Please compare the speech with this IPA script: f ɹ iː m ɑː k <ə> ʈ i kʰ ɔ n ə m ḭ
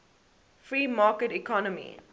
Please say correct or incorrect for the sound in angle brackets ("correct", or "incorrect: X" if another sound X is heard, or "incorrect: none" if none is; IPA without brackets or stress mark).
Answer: correct